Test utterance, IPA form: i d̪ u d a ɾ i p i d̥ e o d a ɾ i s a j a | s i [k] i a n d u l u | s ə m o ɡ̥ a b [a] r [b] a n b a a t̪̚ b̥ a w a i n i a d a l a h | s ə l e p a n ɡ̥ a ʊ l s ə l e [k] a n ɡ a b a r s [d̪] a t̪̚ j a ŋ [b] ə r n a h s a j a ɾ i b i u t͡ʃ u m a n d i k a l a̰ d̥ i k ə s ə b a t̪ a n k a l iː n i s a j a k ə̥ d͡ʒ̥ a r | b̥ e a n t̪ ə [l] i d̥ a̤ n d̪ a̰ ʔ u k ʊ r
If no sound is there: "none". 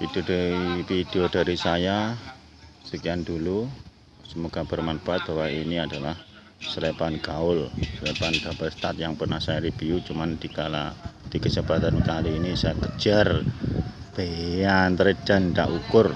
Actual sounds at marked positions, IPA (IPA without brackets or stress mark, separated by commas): k, ə, m, p, t̪, p, ɾ